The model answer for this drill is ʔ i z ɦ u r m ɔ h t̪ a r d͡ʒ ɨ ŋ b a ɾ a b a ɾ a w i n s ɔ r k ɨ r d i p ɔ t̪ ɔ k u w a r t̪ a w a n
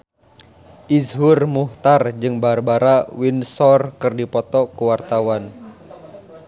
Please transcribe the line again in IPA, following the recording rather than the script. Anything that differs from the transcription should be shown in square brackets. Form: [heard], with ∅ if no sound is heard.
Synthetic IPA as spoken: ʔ i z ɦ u r m [u] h t̪ a r d͡ʒ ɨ ŋ b a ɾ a b a ɾ a w i n s ɔ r k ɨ r d i p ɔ t̪ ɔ k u w a r t̪ a w a n